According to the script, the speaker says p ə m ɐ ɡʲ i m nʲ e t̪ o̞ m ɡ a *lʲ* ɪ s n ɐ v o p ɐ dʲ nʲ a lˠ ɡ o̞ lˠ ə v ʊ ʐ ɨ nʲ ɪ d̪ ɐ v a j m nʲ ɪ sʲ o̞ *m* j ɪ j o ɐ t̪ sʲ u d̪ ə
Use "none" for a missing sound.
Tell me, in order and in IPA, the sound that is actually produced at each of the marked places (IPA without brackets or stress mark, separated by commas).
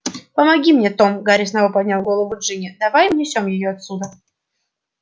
ɾʲ, m